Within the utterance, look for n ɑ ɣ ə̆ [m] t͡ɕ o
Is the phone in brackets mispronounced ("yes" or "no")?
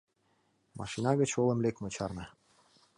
yes